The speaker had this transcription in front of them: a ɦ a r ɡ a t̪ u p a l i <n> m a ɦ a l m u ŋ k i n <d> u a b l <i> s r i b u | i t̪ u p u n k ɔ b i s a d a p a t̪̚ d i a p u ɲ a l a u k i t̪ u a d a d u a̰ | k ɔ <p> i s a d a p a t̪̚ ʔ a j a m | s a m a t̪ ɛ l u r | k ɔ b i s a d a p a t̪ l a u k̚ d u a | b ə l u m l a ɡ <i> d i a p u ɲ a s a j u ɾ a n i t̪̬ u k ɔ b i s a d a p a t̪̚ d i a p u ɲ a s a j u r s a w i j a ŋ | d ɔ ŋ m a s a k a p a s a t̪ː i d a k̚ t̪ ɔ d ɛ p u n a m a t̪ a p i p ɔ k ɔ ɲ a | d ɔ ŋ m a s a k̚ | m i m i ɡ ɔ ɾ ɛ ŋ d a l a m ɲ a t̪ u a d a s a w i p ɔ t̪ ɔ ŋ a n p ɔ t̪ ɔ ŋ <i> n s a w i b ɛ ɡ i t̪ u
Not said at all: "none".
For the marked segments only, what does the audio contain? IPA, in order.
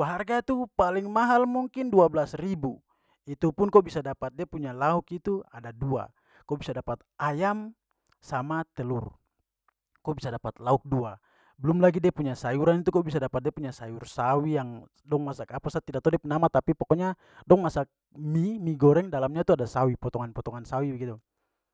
ŋ, d, a, b, i, a

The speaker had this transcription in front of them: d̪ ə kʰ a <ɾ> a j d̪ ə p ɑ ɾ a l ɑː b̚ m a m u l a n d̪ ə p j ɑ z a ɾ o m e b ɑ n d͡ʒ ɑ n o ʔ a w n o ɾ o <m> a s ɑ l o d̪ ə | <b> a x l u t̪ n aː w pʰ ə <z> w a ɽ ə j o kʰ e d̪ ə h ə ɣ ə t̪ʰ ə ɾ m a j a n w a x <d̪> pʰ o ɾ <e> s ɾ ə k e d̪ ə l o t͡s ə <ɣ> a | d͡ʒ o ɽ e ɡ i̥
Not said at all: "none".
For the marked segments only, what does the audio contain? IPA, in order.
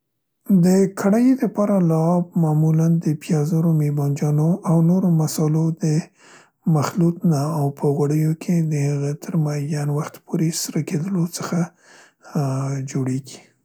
ɽ, m, m, ɣ, t̪, e, x

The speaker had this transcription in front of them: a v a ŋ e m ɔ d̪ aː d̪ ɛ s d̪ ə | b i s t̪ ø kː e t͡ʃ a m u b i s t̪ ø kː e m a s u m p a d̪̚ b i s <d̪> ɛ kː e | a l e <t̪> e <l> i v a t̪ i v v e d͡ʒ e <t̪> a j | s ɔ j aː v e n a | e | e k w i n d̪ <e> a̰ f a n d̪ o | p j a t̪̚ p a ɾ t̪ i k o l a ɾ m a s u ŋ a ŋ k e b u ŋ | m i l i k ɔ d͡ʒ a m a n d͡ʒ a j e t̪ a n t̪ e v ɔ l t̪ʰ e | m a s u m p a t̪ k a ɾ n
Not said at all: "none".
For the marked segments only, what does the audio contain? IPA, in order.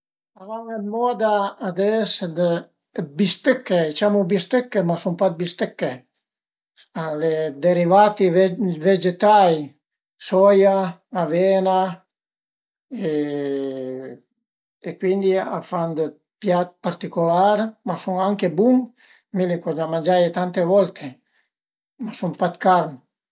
t̪, d̪, ɾ, t̪, i

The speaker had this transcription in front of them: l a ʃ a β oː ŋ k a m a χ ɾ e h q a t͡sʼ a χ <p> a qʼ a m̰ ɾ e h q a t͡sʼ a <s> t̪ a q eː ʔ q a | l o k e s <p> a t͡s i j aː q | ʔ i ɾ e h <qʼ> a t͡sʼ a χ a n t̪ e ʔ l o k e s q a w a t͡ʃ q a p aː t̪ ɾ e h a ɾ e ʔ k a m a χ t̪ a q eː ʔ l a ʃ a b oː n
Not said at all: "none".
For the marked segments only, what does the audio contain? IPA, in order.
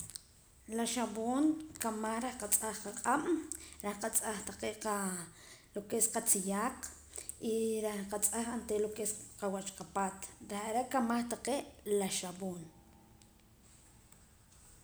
q, χ, q, q

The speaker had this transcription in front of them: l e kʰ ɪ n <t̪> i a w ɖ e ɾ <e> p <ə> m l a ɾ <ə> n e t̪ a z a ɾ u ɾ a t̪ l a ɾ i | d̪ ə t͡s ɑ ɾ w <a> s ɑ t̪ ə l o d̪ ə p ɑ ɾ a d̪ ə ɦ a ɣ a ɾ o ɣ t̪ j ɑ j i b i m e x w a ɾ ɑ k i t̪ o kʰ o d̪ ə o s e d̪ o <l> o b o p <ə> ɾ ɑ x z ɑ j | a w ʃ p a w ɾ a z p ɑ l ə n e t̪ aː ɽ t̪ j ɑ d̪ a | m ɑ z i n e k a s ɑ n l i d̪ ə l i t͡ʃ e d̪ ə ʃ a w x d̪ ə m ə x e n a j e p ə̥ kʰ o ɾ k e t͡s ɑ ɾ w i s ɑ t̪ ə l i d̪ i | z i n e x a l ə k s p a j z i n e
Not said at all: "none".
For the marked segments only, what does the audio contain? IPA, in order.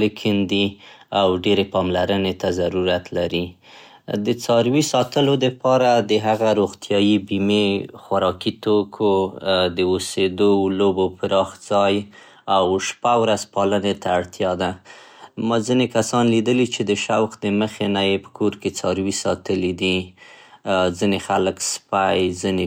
d̪, e, ɑ, ə, i, l, ə

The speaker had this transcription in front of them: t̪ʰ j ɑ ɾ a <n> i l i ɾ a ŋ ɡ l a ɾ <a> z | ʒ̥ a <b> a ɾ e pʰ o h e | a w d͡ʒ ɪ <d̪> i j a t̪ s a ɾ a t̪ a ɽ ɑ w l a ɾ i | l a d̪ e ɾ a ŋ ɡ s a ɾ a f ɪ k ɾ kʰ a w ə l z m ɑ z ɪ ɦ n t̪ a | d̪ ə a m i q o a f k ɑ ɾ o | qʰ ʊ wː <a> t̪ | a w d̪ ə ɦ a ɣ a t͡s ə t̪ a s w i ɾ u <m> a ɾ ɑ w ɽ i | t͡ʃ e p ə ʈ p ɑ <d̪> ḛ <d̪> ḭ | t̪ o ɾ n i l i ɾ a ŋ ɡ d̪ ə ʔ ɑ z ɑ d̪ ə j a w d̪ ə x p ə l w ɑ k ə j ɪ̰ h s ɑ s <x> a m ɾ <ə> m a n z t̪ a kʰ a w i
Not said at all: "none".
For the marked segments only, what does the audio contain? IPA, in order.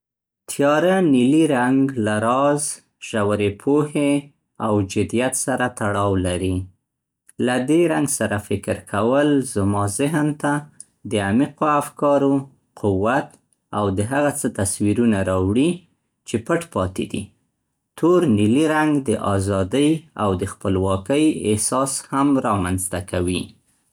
n, ɑ, w, d̪, a, n, t̪, d̪, h, ɑ

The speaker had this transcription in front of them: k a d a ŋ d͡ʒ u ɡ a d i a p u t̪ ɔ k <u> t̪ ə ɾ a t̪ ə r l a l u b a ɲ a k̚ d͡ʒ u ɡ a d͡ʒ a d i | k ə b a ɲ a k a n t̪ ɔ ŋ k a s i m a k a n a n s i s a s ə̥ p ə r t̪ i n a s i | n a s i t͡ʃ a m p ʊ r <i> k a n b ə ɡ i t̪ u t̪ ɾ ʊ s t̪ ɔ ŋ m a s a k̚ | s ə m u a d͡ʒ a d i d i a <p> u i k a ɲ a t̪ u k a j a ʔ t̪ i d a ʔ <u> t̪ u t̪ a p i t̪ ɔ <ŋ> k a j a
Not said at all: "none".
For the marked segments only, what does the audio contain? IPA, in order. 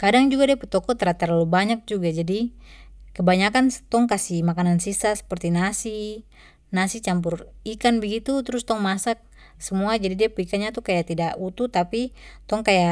ɔ, i, p, u, ŋ

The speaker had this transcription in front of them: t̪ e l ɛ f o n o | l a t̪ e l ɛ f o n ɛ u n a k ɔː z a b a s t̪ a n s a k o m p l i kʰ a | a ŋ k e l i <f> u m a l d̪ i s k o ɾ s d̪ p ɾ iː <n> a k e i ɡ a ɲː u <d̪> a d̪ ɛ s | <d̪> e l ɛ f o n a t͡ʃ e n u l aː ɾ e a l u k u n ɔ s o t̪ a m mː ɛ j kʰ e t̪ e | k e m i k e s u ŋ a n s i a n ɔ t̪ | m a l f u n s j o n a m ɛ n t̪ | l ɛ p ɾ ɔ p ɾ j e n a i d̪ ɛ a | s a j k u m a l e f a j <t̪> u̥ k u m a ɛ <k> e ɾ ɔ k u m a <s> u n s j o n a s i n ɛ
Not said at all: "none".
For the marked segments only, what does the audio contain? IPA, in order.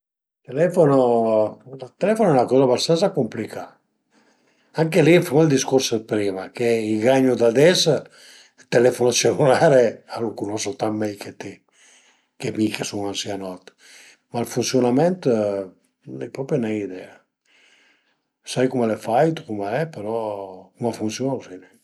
f, m, d̪, t̪, t̪, p, f

